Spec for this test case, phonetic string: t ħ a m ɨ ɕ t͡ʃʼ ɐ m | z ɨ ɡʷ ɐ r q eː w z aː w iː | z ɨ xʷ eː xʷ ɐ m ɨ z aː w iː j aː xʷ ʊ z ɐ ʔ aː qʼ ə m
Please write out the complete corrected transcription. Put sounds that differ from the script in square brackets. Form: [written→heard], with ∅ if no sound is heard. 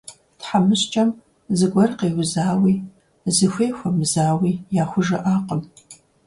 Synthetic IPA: t ħ a m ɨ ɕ t͡ʃʼ ɐ m | z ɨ ɡʷ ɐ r q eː w z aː w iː | z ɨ xʷ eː xʷ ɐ m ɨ z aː w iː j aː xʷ ʊ [z→ʒ] ɐ ʔ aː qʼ ə m